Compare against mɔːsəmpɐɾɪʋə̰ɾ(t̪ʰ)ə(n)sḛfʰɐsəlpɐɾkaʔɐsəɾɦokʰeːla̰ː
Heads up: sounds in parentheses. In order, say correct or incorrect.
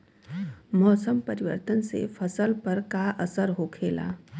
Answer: incorrect: t̪, correct

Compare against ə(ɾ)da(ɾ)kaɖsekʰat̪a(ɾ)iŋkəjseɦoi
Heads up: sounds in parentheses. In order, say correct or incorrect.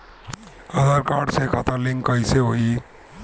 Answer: incorrect: none, correct, incorrect: l

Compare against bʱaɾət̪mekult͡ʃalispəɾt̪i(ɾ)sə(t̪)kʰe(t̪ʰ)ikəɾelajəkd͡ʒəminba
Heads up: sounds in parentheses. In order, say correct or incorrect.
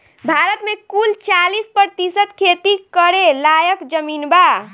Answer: incorrect: none, correct, incorrect: t̪

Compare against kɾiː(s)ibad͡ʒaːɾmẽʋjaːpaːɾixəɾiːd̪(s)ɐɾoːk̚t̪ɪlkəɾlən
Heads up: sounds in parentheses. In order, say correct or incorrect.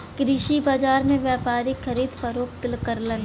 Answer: incorrect: ʃ, incorrect: f

